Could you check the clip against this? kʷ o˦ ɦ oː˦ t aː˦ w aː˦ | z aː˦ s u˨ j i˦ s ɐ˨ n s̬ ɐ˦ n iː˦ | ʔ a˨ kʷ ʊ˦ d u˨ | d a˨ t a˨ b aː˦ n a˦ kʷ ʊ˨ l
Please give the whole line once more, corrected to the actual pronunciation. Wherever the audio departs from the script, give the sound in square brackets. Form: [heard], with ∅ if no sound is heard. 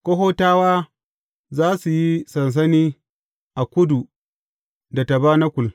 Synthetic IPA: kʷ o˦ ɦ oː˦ t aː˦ w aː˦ | z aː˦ s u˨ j i˦ s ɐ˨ n s̬ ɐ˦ n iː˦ | ʔ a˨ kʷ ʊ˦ d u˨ | d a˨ t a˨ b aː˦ n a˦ kʷ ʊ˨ l